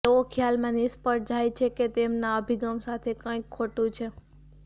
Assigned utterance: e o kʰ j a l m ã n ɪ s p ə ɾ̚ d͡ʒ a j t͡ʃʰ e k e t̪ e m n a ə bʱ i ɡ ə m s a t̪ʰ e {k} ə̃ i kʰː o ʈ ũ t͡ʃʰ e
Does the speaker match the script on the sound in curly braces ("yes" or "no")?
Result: yes